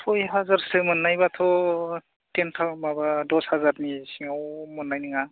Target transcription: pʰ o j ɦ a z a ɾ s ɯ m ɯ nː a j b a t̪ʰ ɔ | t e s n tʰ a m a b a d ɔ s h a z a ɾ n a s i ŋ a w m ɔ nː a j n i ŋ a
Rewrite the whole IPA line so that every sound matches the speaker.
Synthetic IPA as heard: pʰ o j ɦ a z a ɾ s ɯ m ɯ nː a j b a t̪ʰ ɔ | t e n tʰ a m a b a d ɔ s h a z a ɾ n i s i ŋ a w m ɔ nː a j n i ŋ a